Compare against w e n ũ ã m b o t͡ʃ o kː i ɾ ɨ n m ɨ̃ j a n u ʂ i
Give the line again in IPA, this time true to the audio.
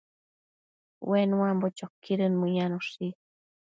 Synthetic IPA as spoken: w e n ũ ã m b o t͡ʃ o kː i ɾ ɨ n m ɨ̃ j a n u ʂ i